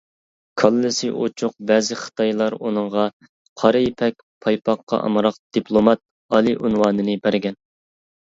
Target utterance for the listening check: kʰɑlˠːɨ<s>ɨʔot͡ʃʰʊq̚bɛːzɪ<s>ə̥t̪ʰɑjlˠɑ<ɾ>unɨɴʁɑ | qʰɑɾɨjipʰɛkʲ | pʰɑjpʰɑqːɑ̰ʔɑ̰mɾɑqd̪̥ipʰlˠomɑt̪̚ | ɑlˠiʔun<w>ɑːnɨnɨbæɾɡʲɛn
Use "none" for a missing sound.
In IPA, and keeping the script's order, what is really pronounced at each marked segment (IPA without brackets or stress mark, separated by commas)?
s, χ, ɾ, w